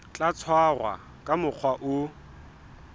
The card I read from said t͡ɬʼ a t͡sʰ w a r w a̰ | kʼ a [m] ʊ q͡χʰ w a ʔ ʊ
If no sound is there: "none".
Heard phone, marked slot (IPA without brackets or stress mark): m